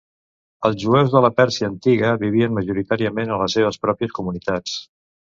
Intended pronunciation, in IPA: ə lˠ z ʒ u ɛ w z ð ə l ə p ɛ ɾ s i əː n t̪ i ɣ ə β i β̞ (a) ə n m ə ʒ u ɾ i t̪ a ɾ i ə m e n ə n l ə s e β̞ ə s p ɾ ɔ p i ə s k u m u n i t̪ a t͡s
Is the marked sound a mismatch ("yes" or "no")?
yes